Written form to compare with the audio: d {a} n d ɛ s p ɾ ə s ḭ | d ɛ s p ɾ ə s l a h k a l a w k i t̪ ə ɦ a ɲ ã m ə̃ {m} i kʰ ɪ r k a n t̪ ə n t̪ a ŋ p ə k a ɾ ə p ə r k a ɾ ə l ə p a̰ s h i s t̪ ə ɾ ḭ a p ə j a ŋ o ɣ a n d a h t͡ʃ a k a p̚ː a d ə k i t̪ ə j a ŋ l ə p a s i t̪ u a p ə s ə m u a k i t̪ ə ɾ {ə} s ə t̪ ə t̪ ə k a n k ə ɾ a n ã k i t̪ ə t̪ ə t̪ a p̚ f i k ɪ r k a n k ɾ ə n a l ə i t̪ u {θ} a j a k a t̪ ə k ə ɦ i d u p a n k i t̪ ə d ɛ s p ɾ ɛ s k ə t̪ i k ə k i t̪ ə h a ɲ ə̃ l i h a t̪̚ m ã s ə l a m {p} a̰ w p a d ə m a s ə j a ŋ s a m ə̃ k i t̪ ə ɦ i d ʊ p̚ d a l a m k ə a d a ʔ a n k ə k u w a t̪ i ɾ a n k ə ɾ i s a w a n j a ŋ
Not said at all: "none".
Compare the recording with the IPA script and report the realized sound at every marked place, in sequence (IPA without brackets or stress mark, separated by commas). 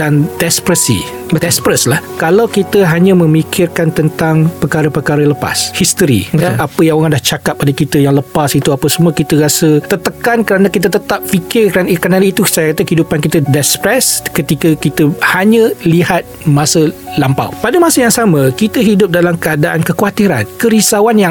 a, m, a, s, p